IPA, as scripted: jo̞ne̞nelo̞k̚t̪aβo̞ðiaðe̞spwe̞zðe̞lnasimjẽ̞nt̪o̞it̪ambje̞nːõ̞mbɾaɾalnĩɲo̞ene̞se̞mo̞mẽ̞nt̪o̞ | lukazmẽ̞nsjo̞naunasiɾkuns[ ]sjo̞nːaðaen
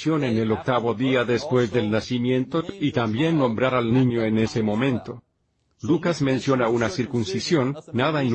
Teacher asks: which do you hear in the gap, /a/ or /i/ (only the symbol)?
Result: i